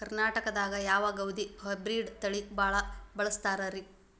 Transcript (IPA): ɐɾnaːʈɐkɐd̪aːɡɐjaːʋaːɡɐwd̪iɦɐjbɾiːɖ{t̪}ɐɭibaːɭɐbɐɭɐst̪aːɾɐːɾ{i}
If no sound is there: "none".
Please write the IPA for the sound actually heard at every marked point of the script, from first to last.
t̪, i

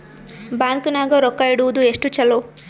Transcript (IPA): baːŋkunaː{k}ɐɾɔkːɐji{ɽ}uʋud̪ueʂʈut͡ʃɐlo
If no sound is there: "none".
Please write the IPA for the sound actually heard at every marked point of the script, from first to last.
ɡ, ɽ

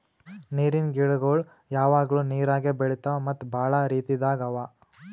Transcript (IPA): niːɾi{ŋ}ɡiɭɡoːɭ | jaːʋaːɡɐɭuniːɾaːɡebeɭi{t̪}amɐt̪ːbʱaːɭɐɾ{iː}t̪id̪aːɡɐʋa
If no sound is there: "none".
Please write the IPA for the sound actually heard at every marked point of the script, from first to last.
n, t̪, iː

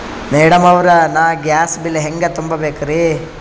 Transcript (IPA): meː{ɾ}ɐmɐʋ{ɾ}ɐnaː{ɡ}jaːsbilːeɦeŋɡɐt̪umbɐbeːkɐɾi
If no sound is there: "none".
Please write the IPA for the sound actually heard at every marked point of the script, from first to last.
ɽ, ɾ, ɡ

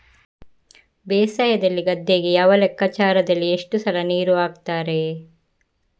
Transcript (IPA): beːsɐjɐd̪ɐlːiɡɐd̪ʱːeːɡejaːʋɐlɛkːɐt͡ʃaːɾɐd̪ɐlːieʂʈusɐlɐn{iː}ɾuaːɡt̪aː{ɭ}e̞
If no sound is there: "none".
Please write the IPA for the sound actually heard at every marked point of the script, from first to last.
iː, ɾ

